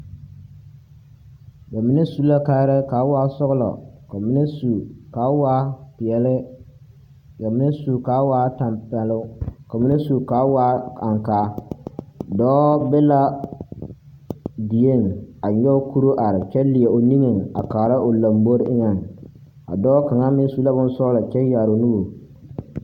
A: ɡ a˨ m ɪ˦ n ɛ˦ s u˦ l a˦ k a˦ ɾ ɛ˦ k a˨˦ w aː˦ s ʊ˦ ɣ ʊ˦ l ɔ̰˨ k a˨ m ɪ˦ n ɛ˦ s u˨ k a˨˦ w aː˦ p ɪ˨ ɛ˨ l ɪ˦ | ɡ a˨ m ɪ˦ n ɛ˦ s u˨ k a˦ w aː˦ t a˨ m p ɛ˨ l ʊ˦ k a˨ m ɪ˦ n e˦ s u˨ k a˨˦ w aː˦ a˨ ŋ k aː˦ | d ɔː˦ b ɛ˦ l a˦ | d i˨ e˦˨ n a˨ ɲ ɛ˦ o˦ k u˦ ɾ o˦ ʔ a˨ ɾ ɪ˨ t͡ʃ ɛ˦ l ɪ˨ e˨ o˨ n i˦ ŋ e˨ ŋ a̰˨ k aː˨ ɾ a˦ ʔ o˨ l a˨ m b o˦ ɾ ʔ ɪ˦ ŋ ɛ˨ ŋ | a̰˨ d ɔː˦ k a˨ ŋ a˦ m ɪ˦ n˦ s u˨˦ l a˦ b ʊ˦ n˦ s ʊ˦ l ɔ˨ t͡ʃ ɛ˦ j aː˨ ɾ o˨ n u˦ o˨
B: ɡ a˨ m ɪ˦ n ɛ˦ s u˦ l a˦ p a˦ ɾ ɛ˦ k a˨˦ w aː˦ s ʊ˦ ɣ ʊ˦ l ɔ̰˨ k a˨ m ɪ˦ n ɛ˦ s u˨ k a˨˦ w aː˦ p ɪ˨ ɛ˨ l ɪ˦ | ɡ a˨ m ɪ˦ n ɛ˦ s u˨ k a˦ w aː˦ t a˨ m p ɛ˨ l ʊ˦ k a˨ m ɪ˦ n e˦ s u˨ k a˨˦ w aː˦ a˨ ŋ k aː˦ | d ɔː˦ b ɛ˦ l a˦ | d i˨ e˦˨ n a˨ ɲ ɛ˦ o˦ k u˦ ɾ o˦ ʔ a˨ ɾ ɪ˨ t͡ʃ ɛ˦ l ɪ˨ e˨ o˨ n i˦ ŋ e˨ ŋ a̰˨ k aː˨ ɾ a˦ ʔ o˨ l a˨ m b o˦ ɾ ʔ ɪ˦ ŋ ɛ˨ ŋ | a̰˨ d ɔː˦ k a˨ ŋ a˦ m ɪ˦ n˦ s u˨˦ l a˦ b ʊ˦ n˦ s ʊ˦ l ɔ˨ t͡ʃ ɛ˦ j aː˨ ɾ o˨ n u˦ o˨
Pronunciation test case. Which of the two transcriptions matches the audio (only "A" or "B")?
A